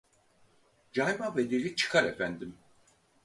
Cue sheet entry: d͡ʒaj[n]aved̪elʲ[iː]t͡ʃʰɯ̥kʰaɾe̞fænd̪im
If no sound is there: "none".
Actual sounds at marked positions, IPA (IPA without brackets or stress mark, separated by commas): m, i